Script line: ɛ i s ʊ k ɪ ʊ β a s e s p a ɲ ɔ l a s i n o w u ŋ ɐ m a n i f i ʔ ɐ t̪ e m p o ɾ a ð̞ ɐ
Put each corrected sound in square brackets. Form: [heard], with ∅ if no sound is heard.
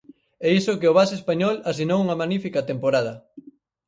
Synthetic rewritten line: ɛ i s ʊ k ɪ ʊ β a s e s p a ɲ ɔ l a s i n o w u ŋ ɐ m a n i f i [k] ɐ t̪ e m p o ɾ a ð̞ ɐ